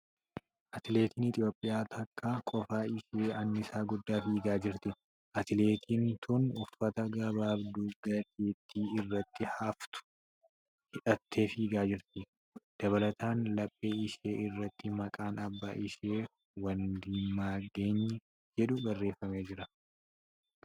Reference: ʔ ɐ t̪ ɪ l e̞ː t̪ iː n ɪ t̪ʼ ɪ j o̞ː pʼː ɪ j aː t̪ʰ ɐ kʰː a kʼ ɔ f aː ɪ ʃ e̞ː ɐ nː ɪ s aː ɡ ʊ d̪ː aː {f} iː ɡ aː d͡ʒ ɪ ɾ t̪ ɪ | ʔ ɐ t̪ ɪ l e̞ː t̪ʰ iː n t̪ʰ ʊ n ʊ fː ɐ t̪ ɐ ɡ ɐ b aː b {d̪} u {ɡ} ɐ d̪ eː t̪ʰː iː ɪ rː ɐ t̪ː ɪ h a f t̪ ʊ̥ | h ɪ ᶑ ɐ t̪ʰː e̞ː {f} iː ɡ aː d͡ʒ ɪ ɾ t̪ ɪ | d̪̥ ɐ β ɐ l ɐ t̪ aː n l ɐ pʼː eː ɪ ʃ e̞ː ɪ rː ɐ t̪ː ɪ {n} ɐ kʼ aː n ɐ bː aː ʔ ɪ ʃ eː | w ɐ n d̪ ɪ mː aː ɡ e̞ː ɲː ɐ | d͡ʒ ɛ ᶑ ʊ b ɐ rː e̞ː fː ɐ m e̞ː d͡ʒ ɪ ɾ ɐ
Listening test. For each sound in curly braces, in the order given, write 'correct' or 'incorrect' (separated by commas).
correct, correct, correct, correct, incorrect